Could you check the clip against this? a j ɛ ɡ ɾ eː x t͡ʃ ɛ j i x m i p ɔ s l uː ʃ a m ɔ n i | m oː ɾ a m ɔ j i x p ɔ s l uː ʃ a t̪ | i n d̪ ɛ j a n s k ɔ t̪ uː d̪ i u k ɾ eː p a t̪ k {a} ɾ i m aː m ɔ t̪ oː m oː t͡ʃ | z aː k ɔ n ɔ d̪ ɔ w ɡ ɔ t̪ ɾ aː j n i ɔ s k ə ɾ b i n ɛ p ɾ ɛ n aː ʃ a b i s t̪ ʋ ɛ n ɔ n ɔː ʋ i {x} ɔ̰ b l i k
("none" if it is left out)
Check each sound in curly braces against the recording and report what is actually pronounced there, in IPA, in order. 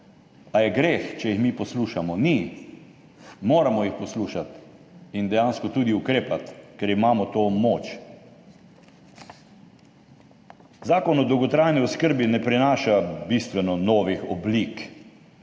ɛ, x

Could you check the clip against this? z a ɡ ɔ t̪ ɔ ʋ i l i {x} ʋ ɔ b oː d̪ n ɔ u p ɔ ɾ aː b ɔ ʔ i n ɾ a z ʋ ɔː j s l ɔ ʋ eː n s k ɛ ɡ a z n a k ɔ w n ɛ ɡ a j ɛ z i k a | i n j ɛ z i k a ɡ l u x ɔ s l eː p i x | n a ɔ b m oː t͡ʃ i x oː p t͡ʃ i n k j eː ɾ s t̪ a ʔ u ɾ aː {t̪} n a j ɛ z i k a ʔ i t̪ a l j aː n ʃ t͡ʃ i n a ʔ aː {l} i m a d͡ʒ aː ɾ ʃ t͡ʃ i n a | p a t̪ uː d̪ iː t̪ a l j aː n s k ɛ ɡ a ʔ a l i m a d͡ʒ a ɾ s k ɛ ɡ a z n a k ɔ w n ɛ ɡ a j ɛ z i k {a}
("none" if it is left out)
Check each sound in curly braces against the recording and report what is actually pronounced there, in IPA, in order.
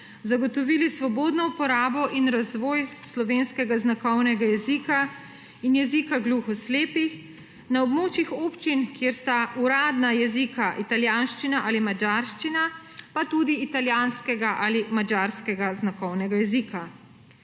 s, d̪, l, a

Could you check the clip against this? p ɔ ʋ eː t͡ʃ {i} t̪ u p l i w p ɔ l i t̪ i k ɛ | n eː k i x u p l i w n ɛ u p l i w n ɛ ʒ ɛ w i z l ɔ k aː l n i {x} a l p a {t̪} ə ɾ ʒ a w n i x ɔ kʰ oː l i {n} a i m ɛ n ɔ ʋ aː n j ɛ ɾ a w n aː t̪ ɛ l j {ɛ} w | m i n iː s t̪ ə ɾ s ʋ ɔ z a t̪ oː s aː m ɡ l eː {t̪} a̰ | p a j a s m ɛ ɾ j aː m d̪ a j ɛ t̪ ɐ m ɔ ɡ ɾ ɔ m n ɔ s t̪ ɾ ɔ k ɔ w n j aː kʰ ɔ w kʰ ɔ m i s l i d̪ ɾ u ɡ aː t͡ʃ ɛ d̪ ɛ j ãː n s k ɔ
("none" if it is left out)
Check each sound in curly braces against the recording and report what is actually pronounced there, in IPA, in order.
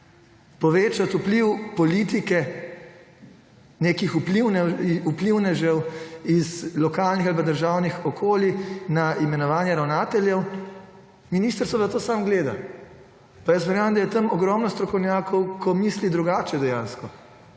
a, x, d̪, n, ɛ, d̪

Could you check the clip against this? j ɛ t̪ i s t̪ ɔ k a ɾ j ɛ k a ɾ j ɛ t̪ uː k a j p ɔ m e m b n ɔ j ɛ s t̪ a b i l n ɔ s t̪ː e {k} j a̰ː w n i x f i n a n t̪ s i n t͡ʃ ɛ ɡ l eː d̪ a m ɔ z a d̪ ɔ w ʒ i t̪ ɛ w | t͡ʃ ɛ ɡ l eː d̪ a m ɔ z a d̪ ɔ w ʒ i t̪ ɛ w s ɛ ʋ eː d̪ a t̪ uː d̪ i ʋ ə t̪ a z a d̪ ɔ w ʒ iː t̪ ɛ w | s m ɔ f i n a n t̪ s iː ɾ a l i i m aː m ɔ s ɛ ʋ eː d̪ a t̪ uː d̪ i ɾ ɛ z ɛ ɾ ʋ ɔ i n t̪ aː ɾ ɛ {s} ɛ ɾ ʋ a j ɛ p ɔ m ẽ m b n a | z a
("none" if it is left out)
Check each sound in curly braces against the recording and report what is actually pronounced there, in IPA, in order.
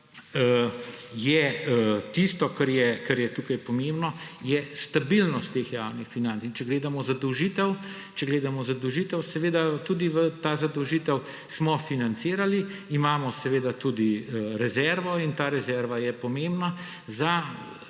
x, z

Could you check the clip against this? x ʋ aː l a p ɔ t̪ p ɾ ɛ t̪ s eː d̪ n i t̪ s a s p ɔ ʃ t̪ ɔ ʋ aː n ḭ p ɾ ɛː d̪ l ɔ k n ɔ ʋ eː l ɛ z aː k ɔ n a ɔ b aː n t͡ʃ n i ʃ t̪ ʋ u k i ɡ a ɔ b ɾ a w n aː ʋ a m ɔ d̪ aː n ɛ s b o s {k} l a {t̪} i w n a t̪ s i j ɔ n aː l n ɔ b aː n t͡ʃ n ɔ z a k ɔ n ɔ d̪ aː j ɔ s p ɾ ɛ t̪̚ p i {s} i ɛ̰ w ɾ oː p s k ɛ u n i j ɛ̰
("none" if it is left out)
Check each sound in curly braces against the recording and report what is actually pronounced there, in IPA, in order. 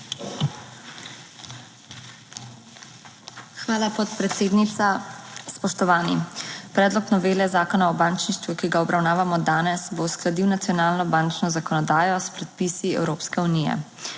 k, d̪, s

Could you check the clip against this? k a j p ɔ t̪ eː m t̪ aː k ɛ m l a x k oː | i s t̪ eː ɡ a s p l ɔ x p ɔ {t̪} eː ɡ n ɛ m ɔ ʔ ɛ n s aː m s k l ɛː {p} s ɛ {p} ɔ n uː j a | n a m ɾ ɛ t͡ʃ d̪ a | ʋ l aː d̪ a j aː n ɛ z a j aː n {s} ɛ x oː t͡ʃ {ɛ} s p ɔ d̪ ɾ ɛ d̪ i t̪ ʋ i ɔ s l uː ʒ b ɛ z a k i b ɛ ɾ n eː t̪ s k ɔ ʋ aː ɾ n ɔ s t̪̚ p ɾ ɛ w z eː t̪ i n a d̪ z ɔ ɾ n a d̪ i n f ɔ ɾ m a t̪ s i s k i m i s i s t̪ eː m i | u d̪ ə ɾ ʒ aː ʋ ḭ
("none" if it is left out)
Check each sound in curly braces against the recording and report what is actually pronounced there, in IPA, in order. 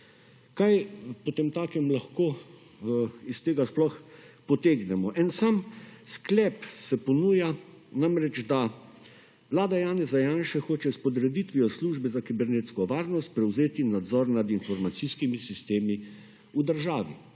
t̪, p, p, ʃ, ɛ

